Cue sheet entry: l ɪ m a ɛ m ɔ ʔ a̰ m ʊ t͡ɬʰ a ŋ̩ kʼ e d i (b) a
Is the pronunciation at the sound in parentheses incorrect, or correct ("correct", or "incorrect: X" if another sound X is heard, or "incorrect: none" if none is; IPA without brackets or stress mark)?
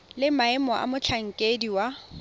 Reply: incorrect: w